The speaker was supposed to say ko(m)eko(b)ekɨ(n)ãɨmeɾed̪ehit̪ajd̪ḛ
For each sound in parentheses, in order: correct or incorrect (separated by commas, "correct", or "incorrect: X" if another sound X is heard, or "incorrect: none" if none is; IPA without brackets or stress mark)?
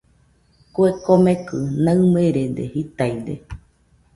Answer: incorrect: none, incorrect: m, correct